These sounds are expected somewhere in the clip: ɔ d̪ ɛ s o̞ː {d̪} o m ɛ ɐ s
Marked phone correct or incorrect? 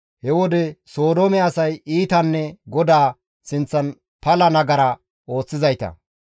correct